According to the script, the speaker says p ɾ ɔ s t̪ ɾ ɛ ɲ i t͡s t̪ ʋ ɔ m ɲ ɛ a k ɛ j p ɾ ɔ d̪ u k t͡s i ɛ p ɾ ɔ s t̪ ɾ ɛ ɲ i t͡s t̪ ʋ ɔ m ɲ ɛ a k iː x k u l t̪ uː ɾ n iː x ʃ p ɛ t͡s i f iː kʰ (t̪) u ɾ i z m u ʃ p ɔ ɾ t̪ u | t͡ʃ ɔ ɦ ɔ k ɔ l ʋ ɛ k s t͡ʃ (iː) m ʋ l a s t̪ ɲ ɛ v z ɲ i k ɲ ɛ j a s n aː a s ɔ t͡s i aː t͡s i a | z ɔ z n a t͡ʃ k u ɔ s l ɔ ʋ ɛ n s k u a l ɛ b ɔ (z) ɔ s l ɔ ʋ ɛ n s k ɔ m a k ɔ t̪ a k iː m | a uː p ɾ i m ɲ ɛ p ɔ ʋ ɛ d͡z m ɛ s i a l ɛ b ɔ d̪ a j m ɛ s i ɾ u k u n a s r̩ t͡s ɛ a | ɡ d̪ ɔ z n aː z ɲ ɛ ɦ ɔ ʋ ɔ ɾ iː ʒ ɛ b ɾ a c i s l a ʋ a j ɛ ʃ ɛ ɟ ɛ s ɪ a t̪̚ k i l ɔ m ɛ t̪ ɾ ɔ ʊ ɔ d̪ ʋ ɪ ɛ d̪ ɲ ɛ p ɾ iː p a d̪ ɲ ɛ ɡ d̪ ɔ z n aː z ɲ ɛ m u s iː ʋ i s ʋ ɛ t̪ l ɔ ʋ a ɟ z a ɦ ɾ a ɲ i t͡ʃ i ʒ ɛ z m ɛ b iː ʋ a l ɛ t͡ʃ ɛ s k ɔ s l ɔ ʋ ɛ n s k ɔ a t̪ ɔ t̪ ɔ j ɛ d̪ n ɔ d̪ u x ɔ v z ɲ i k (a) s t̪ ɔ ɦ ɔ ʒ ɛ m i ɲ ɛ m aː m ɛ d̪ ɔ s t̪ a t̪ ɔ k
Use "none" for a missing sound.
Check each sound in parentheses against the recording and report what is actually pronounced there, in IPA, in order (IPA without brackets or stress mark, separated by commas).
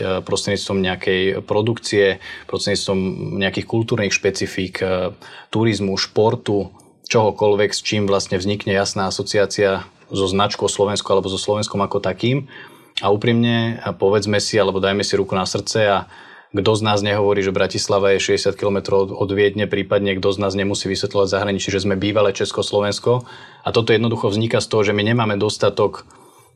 t̪, iː, z, a